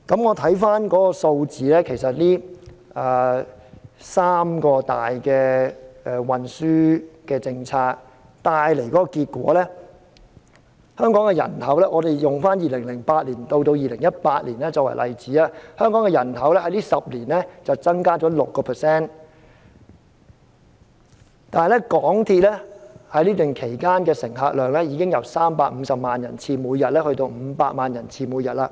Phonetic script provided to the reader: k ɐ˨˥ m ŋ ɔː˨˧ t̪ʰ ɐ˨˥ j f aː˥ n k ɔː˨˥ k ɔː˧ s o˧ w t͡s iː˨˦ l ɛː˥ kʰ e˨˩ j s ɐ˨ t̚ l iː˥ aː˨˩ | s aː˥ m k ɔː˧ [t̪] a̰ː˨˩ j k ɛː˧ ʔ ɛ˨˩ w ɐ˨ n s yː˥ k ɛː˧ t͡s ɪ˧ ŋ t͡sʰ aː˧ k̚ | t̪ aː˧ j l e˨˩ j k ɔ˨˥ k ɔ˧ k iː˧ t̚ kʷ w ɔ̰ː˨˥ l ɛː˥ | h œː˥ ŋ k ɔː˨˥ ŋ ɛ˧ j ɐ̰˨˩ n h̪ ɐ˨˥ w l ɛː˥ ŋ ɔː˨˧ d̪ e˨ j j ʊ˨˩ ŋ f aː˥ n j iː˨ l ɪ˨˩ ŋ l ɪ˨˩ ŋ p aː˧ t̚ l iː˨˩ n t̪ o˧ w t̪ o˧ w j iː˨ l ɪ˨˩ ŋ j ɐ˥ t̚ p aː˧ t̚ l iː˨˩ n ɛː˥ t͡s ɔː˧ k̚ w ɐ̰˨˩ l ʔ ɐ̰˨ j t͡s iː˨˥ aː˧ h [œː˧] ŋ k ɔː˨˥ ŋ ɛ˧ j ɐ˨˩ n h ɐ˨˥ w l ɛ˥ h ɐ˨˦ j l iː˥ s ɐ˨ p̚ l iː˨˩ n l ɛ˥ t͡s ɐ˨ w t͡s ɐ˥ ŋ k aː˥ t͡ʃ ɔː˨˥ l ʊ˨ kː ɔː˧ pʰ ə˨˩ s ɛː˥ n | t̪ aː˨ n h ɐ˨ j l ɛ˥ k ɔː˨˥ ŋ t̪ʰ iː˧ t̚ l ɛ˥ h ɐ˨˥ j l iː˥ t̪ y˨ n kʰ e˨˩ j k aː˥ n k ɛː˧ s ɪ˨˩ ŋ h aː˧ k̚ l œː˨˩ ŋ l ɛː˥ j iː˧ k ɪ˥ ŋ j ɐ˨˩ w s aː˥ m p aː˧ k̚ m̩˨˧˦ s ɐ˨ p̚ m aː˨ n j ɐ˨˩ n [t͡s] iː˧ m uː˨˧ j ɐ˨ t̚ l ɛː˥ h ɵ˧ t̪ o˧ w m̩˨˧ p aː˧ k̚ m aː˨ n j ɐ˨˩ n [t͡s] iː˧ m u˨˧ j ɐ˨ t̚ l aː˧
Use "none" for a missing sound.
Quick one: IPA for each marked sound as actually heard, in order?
t̪, œː˥, t͡sʰ, t͡sʰ

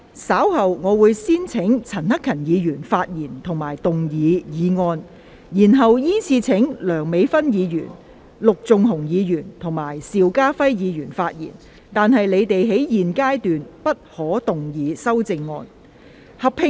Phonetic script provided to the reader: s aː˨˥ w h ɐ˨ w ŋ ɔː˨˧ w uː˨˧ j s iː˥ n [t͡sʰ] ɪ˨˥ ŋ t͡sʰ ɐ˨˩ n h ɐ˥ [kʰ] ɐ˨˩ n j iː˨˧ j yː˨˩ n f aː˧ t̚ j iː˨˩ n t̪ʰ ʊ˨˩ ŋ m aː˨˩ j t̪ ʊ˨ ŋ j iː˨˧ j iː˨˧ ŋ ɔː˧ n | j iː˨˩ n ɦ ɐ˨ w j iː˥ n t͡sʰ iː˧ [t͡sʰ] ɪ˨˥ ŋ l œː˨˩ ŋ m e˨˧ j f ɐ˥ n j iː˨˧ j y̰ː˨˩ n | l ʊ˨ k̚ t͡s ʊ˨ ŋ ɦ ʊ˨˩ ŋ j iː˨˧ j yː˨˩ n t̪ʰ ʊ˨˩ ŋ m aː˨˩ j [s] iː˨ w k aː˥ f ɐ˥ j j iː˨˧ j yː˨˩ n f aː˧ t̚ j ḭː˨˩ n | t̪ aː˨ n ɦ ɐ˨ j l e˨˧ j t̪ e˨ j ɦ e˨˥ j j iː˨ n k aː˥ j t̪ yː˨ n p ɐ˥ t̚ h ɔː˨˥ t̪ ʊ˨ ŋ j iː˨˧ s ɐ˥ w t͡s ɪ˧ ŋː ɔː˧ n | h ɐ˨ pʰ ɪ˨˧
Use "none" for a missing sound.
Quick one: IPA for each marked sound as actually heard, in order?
t͡sʰ, kʰ, t͡sʰ, s

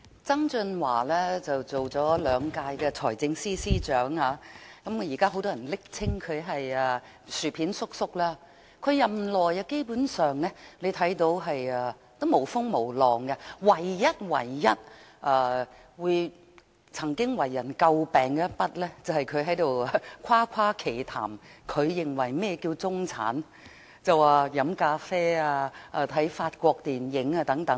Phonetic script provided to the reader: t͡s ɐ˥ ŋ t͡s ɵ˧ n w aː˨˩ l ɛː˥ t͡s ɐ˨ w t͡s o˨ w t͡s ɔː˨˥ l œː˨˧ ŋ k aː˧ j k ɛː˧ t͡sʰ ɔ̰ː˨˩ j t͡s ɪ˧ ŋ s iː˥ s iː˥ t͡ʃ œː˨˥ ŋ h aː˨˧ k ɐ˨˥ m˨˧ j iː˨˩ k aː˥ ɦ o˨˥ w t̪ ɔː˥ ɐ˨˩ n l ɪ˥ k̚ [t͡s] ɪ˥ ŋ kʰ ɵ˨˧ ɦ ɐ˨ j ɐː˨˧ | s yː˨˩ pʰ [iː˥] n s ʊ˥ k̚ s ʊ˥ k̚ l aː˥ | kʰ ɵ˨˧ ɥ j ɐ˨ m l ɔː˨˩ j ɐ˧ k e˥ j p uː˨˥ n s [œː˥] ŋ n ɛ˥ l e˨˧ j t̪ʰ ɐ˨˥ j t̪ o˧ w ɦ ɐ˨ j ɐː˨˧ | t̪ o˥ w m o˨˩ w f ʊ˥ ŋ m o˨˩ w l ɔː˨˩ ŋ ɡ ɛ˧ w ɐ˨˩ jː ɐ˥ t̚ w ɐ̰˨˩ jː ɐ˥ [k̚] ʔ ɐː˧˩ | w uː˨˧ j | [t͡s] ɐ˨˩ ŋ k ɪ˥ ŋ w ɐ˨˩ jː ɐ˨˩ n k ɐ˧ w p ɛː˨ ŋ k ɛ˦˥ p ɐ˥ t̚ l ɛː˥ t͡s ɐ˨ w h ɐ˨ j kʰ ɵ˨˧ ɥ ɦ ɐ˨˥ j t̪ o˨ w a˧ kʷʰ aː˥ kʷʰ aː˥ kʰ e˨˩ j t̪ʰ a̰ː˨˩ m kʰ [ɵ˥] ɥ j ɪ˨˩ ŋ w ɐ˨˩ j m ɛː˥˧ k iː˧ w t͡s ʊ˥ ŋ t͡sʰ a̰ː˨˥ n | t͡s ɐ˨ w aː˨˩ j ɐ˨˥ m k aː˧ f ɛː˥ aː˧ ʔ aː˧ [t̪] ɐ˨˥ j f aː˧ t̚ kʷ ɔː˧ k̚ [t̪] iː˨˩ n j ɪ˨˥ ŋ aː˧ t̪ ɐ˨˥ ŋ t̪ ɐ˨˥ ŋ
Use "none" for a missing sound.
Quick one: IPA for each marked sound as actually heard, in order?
t͡sʰ, iː˨˥, œː˨, t̚, t͡sʰ, ɵ˨˧, t̪ʰ, t̪

